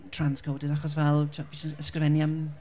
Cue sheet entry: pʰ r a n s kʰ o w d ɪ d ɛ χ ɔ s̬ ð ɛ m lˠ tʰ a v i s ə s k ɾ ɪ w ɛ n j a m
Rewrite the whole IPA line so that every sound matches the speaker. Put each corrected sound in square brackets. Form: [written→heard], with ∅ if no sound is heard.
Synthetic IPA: [pʰ→tʰ] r a n s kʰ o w d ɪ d [ɛ→a] χ ɔ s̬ [ð→v] ɛ [m→∅] lˠ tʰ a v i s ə s k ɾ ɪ [w→v] ɛ n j a m